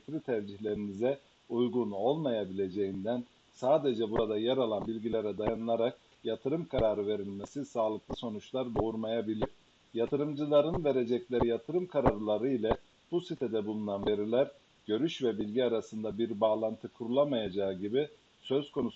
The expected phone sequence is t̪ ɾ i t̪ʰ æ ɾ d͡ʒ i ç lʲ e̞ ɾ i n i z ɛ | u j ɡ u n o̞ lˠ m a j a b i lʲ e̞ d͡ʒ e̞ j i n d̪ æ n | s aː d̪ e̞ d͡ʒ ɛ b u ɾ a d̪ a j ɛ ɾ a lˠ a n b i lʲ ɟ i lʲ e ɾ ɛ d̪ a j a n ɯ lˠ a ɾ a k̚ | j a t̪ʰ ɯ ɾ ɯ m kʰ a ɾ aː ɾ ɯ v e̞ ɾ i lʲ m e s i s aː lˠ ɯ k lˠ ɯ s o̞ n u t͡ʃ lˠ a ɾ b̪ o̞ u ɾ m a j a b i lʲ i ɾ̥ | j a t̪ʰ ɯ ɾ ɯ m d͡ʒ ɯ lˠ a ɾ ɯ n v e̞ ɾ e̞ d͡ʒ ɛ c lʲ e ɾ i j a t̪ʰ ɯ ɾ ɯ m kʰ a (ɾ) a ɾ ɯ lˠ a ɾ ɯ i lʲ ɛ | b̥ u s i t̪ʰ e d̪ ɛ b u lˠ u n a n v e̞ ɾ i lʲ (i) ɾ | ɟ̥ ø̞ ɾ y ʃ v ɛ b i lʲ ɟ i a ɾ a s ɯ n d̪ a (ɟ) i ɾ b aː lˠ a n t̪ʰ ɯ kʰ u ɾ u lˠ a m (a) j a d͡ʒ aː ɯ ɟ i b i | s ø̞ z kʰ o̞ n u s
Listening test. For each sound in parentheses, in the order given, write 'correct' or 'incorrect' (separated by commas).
correct, incorrect, incorrect, correct